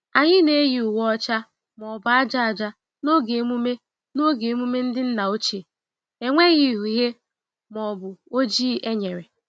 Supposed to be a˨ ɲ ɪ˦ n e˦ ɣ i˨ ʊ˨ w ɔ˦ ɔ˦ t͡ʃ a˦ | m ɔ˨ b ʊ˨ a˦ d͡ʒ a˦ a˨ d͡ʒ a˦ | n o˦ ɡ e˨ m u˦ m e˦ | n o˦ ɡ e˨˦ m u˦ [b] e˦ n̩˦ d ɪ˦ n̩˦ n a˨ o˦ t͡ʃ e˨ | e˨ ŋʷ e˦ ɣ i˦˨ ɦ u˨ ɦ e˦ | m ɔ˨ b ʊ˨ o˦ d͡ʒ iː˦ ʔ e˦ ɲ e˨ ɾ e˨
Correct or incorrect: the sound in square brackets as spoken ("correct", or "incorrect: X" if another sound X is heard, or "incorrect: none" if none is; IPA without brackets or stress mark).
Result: incorrect: m